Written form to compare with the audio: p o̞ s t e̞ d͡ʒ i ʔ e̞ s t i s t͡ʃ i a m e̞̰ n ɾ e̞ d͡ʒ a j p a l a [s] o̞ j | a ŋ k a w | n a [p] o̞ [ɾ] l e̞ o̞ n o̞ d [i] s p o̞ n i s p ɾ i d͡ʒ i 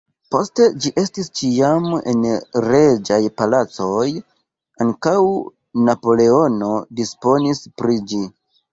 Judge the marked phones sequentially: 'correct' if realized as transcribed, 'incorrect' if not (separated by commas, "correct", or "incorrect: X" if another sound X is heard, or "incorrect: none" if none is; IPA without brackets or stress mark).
incorrect: t͡s, correct, incorrect: none, correct